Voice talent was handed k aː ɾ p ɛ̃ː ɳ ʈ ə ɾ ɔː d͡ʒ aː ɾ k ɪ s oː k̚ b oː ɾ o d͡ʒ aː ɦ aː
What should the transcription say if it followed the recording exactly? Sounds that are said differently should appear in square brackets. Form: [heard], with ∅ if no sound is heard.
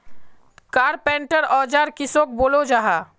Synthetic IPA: k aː ɾ p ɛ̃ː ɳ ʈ ə ɾ ɔː d͡ʒ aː ɾ k ɪ s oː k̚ b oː [l] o d͡ʒ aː ɦ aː

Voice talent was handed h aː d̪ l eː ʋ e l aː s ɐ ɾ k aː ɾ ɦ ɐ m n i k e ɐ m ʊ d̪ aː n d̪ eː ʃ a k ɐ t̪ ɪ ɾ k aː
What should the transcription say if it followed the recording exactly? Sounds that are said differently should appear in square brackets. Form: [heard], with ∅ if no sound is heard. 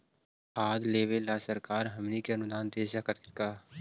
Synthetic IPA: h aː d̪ l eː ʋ e l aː s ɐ ɾ k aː ɾ ɦ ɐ m n i k e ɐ [n] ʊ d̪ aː n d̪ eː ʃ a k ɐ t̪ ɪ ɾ k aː

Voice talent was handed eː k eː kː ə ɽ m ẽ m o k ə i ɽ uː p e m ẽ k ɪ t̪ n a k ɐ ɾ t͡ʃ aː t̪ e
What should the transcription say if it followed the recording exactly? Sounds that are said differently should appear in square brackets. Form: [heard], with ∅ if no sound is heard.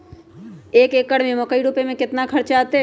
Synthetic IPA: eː k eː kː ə ɽ m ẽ m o k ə i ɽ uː p e m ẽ k ɪ t̪ n a [kʰ] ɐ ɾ t͡ʃ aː t̪ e

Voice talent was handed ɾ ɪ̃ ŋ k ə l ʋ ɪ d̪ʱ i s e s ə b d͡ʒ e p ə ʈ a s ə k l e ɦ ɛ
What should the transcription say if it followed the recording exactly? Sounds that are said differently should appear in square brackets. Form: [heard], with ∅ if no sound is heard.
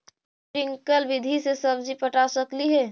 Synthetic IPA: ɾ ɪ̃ ŋ k ə l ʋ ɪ d̪ʱ i s e s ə b d͡ʒ [i] p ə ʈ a s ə k l [i] ɦ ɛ

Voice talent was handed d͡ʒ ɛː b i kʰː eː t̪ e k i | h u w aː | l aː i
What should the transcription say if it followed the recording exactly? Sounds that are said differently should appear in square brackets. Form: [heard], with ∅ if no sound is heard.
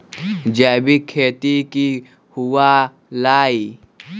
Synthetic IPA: d͡ʒ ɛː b i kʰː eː t̪ [i] k i | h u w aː | l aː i

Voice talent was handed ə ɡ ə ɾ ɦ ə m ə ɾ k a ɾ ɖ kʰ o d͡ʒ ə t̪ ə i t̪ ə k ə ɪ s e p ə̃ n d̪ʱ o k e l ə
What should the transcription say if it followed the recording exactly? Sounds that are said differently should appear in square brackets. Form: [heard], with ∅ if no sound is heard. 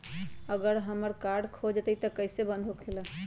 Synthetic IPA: ə ɡ ə ɾ ɦ ə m ə ɾ k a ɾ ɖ kʰ o d͡ʒ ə t̪ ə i t̪ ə k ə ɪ s e [b] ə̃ n d̪ʱ o [kʰ] e l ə

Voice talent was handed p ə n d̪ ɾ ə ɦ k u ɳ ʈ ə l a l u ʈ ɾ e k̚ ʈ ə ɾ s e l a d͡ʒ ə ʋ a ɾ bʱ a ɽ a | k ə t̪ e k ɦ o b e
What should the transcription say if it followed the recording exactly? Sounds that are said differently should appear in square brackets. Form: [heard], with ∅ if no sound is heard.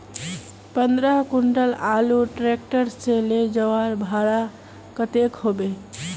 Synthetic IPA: p ə n d̪ ɾ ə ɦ k u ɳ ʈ ə l a l u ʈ ɾ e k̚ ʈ ə ɾ s e l [e] d͡ʒ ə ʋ a ɾ bʱ a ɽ a | k ə t̪ e k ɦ o b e

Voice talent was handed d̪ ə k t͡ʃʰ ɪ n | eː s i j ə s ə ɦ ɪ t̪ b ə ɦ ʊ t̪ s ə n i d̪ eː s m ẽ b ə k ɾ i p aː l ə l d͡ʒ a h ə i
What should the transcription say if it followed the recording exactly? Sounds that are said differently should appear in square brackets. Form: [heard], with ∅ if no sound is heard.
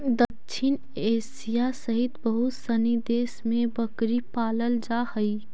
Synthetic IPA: d̪ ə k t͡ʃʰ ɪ n | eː s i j [a] s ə ɦ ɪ t̪ b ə ɦ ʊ t̪ s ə n i d̪ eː s m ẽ b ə k ɾ i p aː l ə l d͡ʒ a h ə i

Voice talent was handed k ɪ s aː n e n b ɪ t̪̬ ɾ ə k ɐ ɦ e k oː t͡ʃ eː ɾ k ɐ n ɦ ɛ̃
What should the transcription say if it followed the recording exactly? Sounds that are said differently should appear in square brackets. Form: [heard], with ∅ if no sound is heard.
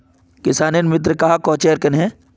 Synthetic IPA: k ɪ s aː n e n [m] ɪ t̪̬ ɾ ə k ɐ ɦ [a] k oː t͡ʃ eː ɾ k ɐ n ɦ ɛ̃

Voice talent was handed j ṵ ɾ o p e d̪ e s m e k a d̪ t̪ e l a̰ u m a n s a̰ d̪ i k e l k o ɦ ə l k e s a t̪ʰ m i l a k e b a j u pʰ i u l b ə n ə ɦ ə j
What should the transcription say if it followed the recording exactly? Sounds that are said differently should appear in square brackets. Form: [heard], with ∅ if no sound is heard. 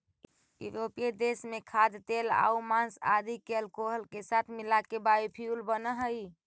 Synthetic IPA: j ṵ ɾ o p e d̪ e s m e [kʰ] a d̪ t̪ e l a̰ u m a n s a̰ d̪ i k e l k o ɦ ə l k e s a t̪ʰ m i l a k e b a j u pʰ i u l b ə n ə ɦ ə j

